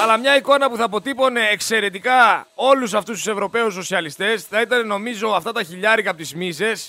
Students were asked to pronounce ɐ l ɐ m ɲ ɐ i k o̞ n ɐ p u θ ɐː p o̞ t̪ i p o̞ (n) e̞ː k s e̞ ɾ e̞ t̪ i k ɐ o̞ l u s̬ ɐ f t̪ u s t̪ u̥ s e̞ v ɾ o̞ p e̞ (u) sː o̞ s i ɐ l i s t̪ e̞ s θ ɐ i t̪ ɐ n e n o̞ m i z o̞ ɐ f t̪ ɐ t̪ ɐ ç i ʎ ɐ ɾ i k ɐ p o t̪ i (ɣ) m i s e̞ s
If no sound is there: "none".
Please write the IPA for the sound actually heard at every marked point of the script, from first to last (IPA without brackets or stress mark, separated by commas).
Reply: n, u, z